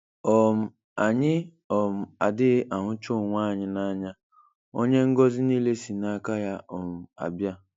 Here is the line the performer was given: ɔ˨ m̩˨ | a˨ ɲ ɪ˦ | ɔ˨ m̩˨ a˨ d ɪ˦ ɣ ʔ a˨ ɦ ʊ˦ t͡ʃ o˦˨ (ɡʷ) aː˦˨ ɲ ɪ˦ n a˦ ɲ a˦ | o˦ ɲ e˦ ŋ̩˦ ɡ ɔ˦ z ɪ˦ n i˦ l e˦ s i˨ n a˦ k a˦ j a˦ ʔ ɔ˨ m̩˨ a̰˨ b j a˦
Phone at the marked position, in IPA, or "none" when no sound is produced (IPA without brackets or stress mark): ŋʷ